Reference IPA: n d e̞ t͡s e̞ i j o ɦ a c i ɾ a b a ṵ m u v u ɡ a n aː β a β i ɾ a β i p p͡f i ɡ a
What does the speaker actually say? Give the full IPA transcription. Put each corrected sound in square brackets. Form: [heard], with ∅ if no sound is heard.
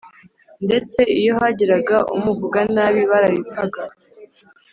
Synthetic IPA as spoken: n d e̞ t͡s e̞ i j o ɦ a [ɟ] i ɾ a [ɡ] a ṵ m u v u ɡ a n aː β [i] β [a] ɾ a β i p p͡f [a] ɡ a